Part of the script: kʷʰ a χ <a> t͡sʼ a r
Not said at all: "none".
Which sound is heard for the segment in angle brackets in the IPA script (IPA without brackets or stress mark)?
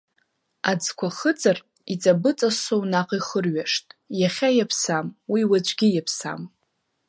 ə